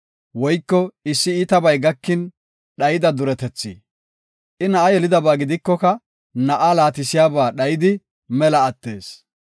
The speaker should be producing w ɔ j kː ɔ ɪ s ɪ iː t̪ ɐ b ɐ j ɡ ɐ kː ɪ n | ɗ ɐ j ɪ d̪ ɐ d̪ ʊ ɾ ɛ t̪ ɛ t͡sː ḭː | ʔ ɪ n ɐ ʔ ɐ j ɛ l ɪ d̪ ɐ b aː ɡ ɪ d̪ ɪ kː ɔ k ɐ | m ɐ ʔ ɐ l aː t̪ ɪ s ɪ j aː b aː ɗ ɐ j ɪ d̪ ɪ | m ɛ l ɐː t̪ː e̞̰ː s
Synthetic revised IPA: w ɔ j kː ɔ ɪ sː ɪ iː t̪ ɐ b ɐ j ɡ ɐ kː ɪ n | ɗ ɐ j ɪ d̪ ɐ d̪ ʊ ɾ ɛ t̪ ɛ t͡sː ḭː | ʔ ɪ n ɐ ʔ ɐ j ɛ l ɪ d̪ ɐ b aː ɡ ɪ d̪ ɪ kː ɔ k ɐ | n ɐ ʔ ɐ l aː t̪ ɪ s ɪ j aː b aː ɗ ɐ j ɪ d̪ ɪ | m ɛ l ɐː t̪ː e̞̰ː s